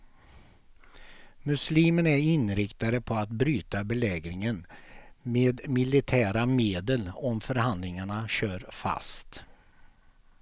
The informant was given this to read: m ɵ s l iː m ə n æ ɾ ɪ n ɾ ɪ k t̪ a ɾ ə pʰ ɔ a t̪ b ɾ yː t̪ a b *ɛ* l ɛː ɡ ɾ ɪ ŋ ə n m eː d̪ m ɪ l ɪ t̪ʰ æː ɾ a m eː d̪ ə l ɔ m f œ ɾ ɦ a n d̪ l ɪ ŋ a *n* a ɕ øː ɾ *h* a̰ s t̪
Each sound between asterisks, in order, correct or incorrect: correct, incorrect: ɳ, incorrect: f

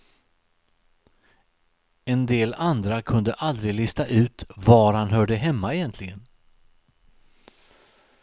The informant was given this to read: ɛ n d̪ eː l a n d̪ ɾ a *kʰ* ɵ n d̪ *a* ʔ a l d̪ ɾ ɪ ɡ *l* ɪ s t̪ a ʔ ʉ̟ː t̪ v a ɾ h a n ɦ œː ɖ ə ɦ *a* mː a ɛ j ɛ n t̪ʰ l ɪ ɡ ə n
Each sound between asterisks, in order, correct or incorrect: correct, incorrect: ə, correct, incorrect: ɛ

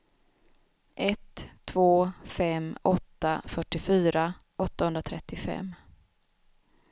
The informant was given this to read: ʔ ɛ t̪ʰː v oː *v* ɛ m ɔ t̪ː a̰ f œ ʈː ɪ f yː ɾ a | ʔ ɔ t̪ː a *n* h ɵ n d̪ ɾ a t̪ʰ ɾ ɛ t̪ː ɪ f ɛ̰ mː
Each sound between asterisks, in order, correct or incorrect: incorrect: f, incorrect: none

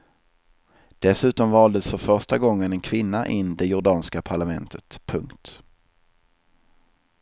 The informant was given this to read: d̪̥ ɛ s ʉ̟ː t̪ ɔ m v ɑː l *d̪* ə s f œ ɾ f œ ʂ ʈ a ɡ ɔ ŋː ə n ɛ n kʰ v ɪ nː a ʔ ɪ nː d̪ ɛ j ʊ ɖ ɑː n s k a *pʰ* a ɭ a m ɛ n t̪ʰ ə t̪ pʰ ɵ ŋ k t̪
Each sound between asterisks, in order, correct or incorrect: correct, correct

